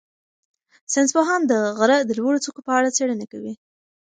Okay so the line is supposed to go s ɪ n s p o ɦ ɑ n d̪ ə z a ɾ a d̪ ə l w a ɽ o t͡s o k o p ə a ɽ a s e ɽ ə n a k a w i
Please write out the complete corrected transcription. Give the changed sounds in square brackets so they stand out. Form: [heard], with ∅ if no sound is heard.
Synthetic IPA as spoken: s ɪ n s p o ɦ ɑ n d̪ ə [ɣ] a ɾ a d̪ ə l w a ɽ o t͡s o k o p ə a ɽ a [t͡s] e ɽ ə n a k a w i